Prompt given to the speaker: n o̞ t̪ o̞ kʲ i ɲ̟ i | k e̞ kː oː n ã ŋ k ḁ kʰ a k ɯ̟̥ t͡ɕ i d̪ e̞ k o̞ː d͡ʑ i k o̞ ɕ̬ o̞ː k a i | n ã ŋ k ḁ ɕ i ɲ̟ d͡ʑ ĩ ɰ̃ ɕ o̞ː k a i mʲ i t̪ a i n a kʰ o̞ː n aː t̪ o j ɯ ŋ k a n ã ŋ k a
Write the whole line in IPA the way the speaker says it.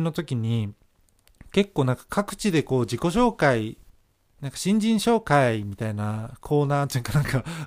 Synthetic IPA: n o̞ t̪ o̞ kʲ i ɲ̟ i | k e̞ kː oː n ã ŋ k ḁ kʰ a k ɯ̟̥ t͡ɕ i d̪ e̞ k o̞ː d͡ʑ i k o̞ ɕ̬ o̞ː k a i | n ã ŋ k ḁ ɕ ĩ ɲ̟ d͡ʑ ĩ ɰ̃ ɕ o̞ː k a i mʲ i t̪ a i n a kʰ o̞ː n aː t̪ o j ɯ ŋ k a n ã ŋ k a